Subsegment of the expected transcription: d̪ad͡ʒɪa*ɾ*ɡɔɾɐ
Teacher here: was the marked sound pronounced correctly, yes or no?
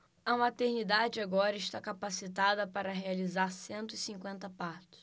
no